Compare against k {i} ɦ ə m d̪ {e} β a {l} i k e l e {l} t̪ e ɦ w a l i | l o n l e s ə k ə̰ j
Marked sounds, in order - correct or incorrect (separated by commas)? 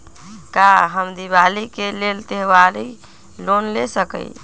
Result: incorrect, incorrect, correct, correct